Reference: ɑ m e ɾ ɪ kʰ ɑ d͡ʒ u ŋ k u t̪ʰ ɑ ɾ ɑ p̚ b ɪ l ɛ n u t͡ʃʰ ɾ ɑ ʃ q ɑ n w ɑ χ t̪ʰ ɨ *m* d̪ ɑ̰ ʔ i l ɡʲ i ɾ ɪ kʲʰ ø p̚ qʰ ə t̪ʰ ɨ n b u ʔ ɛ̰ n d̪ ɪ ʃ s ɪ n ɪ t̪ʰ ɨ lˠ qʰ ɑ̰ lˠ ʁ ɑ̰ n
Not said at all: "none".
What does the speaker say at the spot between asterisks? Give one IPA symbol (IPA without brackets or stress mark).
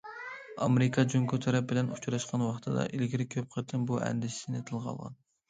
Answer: none